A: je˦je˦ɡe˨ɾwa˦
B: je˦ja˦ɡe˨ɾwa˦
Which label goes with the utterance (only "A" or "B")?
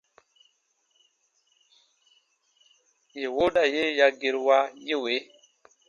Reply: B